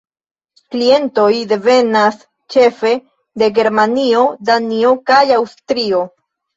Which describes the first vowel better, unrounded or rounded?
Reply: unrounded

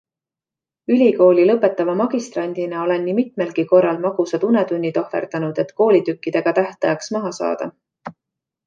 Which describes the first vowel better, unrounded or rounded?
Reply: rounded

